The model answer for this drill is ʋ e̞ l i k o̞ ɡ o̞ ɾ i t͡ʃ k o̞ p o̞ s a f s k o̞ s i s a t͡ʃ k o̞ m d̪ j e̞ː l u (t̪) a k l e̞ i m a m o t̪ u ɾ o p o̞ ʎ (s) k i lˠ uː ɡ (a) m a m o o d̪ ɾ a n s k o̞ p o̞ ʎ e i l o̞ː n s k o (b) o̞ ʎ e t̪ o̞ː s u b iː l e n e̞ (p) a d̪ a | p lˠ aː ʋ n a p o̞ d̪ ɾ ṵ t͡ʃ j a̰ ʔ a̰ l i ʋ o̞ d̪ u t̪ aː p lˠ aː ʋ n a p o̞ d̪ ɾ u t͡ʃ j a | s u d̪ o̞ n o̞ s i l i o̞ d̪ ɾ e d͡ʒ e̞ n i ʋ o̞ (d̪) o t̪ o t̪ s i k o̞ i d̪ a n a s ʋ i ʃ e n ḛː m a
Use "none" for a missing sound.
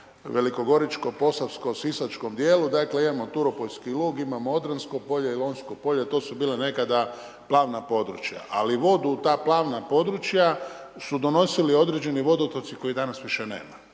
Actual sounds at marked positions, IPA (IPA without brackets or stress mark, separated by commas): d̪, s, i, p, k, d̪